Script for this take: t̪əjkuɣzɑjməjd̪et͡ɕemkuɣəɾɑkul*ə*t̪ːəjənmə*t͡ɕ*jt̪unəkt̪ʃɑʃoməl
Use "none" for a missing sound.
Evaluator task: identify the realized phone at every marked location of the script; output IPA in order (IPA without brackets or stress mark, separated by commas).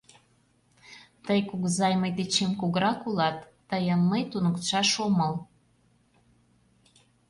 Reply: ɑ, none